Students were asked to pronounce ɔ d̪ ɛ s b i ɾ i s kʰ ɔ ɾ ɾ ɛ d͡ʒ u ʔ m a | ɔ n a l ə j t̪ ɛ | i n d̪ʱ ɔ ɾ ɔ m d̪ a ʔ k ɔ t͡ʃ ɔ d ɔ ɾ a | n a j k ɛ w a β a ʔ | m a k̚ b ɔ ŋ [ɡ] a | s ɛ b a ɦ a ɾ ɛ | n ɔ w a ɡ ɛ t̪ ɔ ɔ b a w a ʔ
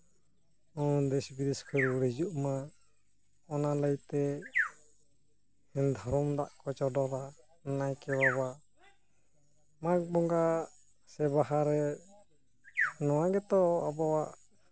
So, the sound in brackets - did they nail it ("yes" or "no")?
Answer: yes